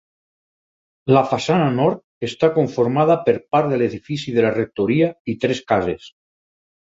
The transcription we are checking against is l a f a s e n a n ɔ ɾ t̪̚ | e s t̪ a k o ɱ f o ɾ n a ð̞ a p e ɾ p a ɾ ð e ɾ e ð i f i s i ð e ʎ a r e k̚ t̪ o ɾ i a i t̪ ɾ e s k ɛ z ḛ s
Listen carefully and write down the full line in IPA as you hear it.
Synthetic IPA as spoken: l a f a s a n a n ɔ ɾ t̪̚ | e s t̪ a k o ɱ f o ɾ m a ð̞ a p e ɾ p a ɾ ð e l e ð i f i s i ð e l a r e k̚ t̪ o ɾ i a i t̪ ɾ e s k a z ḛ s